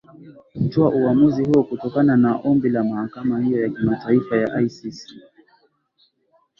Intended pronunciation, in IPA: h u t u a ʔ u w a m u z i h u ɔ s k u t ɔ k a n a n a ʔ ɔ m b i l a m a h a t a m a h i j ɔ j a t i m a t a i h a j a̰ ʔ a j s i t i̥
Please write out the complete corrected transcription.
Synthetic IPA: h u t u a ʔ u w a m u z i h u ɔ k u t ɔ k a n a n a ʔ ɔ m b i l a m a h a k a m a h i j ɔ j a k i m a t a i f a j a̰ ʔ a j s i s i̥